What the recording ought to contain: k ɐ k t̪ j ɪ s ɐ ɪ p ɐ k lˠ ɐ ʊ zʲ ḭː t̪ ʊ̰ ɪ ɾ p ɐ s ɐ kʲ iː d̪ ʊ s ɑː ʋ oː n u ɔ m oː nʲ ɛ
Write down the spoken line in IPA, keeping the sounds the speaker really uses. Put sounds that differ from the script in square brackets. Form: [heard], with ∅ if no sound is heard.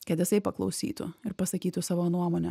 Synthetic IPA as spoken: k ɐ [∅] t̪ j ɪ s ɐ ɪ p ɐ k lˠ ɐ ʊ [sʲ] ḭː t̪ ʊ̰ ɪ ɾ p ɐ s ɐ kʲ iː [t̪] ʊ s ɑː ʋ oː n u ɔ m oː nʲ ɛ